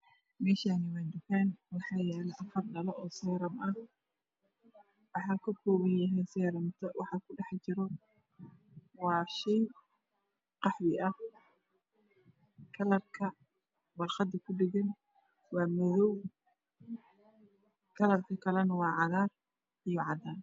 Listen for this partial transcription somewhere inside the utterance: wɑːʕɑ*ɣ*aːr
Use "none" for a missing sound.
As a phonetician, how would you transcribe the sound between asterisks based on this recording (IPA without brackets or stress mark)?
ð